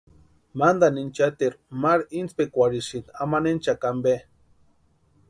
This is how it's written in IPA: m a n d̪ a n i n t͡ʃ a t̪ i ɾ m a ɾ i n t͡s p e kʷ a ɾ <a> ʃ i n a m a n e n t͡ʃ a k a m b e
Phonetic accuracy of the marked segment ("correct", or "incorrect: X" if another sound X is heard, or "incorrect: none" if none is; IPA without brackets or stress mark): incorrect: i